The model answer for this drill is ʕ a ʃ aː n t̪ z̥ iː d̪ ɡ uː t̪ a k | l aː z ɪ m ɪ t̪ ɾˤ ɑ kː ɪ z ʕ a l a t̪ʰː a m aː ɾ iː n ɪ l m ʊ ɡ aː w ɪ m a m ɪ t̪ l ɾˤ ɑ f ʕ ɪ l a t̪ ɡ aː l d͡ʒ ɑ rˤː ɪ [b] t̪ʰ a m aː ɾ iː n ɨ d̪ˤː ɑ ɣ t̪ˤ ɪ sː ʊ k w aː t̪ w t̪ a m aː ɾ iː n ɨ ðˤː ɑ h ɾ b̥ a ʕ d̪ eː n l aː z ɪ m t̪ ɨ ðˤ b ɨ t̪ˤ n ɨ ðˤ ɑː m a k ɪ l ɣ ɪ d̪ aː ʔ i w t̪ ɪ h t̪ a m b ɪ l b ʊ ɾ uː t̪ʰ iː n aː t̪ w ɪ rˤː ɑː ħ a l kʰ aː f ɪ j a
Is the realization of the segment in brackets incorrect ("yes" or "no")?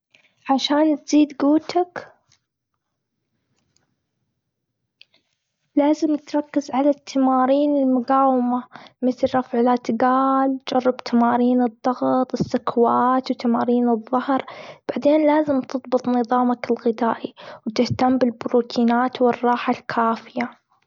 no